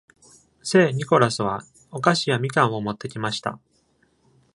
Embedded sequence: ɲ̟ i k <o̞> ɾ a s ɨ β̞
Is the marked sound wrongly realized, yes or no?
no